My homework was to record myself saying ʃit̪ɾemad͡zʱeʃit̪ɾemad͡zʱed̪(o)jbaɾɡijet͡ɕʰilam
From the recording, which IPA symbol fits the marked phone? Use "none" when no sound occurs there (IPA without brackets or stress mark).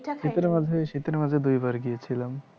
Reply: u